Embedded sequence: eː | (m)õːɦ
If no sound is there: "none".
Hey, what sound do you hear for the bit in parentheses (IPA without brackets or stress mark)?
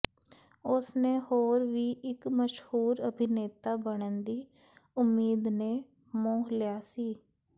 m